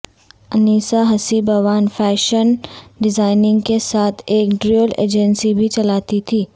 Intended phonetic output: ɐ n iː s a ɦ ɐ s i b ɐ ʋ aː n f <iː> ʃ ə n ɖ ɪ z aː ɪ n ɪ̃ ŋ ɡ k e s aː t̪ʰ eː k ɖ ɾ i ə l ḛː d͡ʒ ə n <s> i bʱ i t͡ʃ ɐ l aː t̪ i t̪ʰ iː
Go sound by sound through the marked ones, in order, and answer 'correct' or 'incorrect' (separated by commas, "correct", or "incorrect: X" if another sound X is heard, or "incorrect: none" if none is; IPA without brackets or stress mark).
incorrect: ɛː, correct